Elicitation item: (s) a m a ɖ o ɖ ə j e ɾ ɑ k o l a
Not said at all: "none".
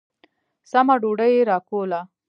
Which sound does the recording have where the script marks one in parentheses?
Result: s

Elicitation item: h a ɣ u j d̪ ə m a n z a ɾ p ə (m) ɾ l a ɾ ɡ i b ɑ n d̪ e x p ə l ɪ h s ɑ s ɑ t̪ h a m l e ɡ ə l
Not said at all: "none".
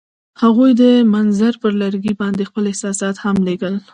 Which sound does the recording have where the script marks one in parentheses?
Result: none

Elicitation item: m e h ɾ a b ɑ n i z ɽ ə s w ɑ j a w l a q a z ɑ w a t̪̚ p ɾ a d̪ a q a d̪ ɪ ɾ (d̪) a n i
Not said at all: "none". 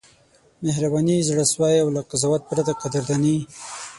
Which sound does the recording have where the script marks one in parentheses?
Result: d̪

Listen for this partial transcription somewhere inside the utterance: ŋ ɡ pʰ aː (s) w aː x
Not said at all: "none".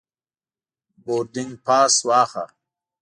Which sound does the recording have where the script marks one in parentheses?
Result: s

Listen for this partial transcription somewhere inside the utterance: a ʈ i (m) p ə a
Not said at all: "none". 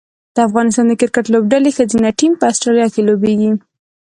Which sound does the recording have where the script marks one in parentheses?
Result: m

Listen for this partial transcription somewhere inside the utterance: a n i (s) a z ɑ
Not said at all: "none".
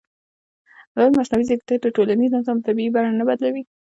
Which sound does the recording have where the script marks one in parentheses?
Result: z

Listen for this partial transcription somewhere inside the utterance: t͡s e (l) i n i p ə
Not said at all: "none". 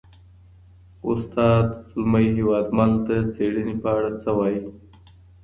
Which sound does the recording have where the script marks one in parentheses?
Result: ɽ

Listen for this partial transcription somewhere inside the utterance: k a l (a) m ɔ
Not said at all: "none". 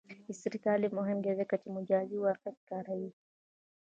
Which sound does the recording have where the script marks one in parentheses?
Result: i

